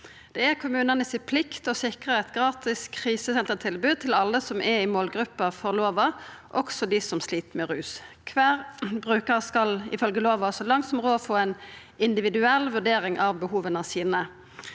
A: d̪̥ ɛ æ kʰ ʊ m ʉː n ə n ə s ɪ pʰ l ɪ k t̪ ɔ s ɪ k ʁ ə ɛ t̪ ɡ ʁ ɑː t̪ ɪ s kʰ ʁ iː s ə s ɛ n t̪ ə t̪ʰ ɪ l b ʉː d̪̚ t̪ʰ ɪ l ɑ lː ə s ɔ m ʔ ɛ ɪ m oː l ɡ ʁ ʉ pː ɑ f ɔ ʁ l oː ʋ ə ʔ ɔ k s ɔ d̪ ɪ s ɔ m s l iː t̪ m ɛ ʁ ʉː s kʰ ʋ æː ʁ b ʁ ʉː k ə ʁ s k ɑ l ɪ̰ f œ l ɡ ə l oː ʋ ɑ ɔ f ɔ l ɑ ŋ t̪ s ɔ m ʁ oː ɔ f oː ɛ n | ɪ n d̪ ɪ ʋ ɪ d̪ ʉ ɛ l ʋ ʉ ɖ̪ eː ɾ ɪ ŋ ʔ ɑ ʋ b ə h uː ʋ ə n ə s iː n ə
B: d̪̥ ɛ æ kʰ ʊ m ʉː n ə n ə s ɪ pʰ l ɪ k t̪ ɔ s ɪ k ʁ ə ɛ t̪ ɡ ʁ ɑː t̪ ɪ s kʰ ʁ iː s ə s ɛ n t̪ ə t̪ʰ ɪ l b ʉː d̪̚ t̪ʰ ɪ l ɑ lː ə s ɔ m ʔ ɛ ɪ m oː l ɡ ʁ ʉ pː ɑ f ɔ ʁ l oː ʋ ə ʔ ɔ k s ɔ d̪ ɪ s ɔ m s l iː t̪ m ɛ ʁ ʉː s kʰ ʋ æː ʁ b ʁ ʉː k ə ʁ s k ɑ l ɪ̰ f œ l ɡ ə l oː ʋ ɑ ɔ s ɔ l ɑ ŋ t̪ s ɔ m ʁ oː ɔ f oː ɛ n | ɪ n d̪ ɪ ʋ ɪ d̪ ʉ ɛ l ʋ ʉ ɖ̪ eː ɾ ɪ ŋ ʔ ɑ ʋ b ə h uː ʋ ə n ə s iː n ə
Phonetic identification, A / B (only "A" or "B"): B